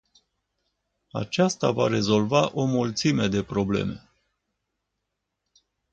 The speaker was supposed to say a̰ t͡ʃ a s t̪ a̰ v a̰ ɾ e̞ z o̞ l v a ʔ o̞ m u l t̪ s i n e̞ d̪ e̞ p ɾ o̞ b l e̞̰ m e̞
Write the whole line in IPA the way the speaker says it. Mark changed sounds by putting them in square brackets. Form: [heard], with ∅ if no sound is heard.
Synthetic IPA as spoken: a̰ t͡ʃ a s t̪ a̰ v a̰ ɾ e̞ z o̞ l v a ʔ o̞ m u l t̪ s i [m] e̞ d̪ e̞ p ɾ o̞ b l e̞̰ m e̞

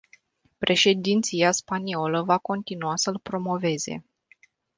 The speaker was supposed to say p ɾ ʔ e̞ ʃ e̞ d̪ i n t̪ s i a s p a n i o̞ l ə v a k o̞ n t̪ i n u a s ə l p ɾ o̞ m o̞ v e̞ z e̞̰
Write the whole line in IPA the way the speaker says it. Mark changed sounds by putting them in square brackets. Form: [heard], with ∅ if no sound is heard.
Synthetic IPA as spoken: p ɾ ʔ e̞ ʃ e̞ d̪ i n t̪ s i a s p a n i o̞ l ə v a k o̞ n t̪ i n u a s ə l p ɾ o̞ m o̞ v e̞ z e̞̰

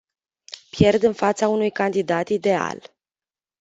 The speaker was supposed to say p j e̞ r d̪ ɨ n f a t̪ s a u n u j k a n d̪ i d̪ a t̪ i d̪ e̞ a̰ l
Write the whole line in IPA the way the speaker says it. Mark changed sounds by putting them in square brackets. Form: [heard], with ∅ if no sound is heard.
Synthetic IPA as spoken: p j e̞ r d̪ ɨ n f a t̪ s a u n u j k a n d̪ i d̪ a t̪ i d̪ e̞ a̰ l

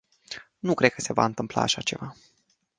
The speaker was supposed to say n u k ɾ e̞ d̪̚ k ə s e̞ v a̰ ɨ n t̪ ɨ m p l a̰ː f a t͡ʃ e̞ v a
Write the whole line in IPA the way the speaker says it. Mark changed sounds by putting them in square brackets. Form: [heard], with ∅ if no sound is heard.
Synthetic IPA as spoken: n u k ɾ e̞ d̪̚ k ə s e̞ v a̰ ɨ n t̪ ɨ m p l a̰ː [ʃ] a t͡ʃ e̞ v a

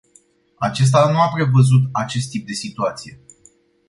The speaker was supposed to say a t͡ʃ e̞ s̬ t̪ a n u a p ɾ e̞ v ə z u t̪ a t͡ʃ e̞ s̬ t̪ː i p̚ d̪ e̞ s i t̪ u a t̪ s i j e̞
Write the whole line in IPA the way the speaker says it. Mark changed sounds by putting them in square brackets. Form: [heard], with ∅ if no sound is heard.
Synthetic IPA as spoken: a t͡ʃ e̞ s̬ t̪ a n u a p ɾ e̞ v ə z u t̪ a t͡ʃ e̞ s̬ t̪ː i p̚ d̪ e̞ s i t̪ u a t̪ s i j e̞

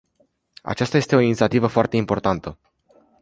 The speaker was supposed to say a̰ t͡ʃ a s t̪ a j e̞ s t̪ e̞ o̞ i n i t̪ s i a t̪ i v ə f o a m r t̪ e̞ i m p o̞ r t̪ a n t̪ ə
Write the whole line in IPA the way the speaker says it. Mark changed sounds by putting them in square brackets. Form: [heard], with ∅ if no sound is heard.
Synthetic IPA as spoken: a̰ t͡ʃ a s t̪ a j e̞ s t̪ e̞ o̞ i n i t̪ s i a t̪ i v ə f o a [∅] r t̪ e̞ i m p o̞ r t̪ a n t̪ ə

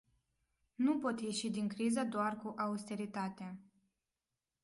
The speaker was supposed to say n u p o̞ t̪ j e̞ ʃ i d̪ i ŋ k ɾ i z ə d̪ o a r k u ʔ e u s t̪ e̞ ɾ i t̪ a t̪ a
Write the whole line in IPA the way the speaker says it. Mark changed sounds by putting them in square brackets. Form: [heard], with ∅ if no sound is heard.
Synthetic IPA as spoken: n u p o̞ t̪ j e̞ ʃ i d̪ i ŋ k ɾ i z ə d̪ o a r k u ʔ [a] u s t̪ e̞ ɾ i t̪ a t̪ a

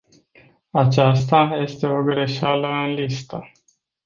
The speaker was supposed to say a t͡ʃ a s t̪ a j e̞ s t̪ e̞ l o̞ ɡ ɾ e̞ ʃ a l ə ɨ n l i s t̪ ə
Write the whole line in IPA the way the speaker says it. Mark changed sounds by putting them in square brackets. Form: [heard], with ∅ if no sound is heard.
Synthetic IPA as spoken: a t͡ʃ a s t̪ a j e̞ s t̪ e̞ [∅] o̞ ɡ ɾ e̞ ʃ a l ə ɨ n l i s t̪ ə

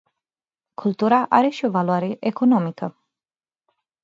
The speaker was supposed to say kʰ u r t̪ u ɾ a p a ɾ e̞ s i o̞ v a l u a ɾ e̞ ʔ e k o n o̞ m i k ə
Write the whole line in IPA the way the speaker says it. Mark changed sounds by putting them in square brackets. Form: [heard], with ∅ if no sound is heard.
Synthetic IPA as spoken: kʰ u [l] t̪ u ɾ a [ʔ] a ɾ e̞ [ʃ] i o̞ v a l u a ɾ e̞ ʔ e k o n o̞ m i k ə

